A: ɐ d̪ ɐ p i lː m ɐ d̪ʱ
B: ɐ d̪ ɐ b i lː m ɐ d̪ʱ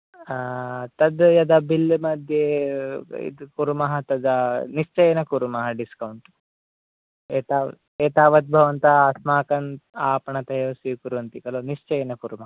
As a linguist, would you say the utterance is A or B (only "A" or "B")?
B